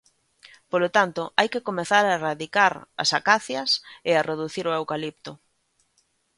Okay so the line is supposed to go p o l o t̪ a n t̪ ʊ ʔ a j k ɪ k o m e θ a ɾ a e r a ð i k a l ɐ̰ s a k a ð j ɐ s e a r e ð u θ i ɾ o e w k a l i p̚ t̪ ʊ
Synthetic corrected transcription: p o l o t̪ a n t̪ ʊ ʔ a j k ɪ k o m e θ a ɾ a e r a ð i k a ɾ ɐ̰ s a k a θ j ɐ s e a r e ð u θ i ɾ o e w k a l i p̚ t̪ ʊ